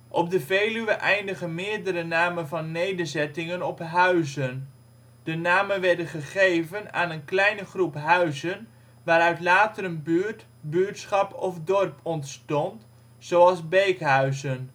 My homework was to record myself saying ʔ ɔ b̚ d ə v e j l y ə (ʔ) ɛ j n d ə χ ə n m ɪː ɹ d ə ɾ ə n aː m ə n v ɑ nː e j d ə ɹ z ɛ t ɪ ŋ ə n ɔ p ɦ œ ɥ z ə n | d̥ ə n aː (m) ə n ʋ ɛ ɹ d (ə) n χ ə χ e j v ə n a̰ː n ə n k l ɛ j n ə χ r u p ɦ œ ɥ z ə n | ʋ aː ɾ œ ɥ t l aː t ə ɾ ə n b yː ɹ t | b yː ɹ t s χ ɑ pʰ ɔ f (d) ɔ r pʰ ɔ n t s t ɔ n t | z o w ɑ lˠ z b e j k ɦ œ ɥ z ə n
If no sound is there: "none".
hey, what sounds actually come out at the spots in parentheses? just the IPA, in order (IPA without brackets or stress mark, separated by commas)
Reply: ʔ, m, ə, d